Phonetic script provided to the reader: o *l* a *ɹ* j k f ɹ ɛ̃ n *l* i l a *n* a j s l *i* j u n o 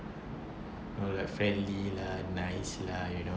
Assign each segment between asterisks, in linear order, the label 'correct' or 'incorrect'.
correct, incorrect: none, correct, correct, incorrect: a

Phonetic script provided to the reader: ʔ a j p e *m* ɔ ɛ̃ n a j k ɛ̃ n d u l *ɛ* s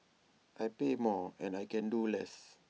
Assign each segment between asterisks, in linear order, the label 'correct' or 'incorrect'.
correct, correct

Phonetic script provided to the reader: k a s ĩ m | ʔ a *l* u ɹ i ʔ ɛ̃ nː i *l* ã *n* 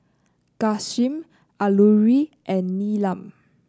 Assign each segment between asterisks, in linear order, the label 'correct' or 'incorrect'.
correct, correct, incorrect: m

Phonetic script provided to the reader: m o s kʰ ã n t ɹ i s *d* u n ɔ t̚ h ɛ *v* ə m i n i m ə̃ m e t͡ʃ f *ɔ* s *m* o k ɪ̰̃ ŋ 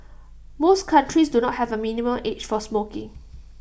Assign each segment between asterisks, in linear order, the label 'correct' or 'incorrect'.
correct, correct, correct, correct

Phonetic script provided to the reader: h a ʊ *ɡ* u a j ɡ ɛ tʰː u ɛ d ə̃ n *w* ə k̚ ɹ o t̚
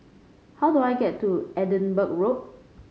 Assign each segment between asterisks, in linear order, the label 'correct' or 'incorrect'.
incorrect: d, incorrect: b

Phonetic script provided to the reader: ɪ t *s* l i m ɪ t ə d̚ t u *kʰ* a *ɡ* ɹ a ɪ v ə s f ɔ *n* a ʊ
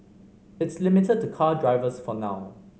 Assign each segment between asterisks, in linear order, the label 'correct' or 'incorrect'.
correct, correct, incorrect: d, correct

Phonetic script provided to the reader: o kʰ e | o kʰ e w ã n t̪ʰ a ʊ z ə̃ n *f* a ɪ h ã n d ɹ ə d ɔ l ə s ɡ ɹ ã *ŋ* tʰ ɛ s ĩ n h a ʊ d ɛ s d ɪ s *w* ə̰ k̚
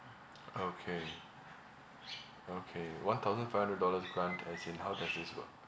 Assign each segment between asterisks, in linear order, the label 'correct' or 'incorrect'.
correct, incorrect: n, correct

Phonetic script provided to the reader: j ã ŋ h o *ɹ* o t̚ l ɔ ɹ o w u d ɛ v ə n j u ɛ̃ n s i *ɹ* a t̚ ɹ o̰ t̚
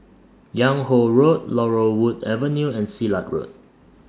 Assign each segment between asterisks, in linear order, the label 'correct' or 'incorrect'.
correct, incorrect: l

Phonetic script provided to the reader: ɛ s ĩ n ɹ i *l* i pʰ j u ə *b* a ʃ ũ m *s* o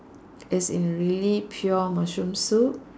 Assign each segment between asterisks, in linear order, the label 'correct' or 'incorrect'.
correct, incorrect: m, correct

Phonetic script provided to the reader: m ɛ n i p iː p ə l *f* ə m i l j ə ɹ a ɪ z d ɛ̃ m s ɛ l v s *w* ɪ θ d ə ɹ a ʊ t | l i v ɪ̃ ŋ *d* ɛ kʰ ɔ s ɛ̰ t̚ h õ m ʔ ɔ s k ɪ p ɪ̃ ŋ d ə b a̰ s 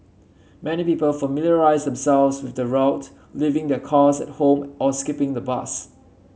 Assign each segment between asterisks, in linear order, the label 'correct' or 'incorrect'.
correct, correct, correct

